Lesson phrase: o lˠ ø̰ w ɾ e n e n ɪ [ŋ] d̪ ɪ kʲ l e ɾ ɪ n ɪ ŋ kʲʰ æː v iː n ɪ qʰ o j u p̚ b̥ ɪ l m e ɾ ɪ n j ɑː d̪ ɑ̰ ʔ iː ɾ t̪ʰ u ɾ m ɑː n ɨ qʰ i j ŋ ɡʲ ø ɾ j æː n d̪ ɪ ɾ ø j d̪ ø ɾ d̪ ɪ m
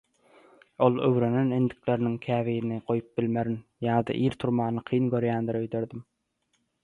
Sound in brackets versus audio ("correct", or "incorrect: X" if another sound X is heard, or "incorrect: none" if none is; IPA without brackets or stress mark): incorrect: n